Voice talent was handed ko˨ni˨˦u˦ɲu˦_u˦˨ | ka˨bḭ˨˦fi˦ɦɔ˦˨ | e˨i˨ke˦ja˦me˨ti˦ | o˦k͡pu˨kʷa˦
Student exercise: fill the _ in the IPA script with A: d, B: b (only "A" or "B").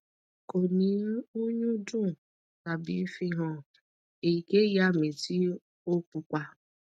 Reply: A